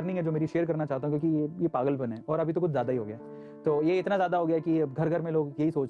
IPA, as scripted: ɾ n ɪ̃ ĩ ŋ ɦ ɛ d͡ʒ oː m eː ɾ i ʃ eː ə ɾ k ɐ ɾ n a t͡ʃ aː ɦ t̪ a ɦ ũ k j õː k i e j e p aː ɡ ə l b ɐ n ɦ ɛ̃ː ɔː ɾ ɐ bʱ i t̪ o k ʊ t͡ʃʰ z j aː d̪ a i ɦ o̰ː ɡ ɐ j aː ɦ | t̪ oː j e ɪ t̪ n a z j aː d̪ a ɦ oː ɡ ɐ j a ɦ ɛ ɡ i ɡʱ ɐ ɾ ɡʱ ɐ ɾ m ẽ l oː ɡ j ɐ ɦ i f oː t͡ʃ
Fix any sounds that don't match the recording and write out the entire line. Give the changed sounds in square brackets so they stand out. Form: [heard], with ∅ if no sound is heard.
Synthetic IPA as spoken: ɾ n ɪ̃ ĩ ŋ ɦ ɛ d͡ʒ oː m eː ɾ i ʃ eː ə ɾ k ɐ ɾ n a t͡ʃ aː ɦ t̪ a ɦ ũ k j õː k i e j e p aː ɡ ə l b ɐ n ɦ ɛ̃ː ɔː ɾ ɐ bʱ i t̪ o k ʊ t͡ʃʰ z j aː d̪ a i ɦ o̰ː ɡ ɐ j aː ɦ | t̪ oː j e ɪ t̪ n a z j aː d̪ a ɦ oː ɡ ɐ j a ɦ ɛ [k] i ɡʱ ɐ ɾ ɡʱ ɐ ɾ m ẽ l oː ɡ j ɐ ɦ i [s] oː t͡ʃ